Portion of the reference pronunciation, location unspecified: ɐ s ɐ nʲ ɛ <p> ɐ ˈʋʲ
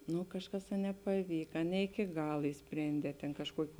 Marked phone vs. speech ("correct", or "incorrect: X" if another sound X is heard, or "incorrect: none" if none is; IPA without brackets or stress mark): correct